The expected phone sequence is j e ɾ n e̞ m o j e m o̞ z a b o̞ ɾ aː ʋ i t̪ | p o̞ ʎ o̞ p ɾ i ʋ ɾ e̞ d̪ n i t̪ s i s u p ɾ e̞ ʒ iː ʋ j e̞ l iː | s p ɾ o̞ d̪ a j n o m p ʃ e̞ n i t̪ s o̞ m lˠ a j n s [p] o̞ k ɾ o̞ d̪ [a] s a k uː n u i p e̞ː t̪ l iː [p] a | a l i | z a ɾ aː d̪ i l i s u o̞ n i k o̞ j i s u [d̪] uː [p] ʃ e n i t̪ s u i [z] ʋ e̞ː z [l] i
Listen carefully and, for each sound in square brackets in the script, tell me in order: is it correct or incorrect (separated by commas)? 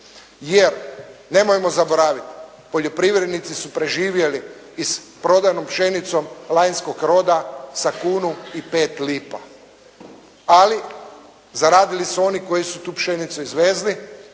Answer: incorrect, correct, correct, incorrect, correct, correct, correct